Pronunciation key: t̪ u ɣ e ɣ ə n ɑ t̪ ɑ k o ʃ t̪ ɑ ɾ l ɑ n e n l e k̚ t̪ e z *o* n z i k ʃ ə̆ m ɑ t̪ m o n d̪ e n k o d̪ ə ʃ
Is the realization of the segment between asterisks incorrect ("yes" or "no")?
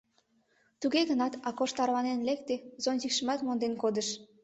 no